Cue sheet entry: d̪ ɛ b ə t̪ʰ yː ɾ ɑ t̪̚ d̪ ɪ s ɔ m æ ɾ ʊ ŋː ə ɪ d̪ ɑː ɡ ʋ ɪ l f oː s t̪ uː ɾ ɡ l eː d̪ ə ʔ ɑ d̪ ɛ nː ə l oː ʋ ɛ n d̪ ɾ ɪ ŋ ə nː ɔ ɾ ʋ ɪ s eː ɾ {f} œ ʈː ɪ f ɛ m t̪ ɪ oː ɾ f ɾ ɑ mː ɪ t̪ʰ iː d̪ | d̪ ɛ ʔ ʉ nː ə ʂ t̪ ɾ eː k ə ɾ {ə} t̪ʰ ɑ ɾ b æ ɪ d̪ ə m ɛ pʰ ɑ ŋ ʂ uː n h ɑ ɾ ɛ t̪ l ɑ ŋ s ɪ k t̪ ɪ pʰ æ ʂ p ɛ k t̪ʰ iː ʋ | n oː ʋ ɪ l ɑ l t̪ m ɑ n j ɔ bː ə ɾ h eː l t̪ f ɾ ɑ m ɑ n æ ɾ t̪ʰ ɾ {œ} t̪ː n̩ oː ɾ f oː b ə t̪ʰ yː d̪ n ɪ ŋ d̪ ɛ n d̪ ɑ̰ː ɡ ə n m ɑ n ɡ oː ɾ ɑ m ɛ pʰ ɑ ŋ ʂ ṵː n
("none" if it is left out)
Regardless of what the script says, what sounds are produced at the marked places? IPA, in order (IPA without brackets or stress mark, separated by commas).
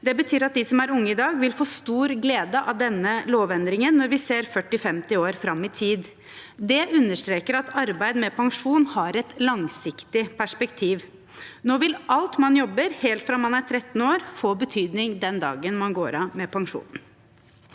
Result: f, ɑ, ɛ